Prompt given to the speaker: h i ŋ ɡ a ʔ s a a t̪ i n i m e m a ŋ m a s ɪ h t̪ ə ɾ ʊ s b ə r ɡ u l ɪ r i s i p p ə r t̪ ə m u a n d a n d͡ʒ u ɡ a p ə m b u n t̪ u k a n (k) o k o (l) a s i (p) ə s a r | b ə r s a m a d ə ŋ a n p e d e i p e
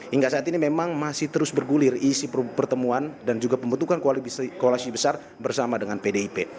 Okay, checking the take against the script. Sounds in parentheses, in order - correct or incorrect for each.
correct, correct, incorrect

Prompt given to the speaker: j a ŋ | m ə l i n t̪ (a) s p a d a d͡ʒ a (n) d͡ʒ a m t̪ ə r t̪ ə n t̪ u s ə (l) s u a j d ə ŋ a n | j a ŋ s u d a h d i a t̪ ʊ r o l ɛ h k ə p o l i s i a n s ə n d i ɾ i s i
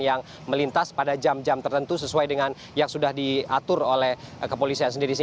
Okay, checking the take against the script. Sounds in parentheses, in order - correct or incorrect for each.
correct, incorrect, incorrect

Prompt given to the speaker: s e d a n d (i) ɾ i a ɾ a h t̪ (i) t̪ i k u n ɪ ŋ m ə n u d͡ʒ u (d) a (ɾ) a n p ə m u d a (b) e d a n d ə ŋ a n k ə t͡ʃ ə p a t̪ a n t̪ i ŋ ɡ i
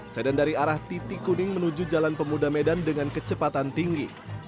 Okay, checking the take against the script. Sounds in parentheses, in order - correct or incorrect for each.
incorrect, correct, incorrect, incorrect, incorrect

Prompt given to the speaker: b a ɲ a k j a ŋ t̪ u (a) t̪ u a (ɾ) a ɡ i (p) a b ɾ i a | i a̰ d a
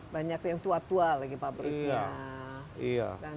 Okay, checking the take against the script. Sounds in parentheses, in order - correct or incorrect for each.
correct, incorrect, correct

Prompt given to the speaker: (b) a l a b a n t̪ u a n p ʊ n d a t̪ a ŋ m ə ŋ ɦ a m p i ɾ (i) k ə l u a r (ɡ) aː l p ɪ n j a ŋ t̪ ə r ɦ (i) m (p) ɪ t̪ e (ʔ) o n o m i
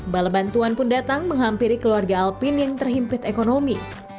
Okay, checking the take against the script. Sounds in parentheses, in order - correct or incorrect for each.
correct, correct, correct, correct, correct, incorrect

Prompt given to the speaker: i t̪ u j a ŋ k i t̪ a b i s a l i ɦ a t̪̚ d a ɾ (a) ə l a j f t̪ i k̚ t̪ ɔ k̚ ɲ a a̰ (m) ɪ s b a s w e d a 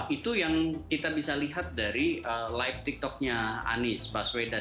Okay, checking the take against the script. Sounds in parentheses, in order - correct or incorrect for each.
incorrect, incorrect

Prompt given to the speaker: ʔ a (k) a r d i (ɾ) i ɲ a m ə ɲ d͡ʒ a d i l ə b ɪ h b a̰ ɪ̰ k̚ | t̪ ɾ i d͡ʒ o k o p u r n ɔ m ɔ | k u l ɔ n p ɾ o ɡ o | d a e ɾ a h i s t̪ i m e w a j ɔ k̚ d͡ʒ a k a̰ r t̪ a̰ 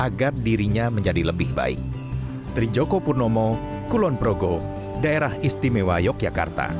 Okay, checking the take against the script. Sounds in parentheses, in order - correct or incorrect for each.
incorrect, correct

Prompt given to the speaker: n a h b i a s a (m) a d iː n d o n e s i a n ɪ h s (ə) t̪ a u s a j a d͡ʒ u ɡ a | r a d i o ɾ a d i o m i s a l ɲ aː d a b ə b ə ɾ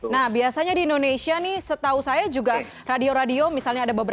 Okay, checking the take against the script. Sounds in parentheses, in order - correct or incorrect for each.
incorrect, correct

